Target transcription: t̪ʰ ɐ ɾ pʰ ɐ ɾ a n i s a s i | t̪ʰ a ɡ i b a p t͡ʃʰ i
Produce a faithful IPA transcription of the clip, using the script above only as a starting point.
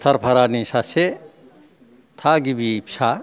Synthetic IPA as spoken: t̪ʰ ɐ ɾ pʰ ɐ ɾ a n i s a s e | t̪ʰ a ɡ i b i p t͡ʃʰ a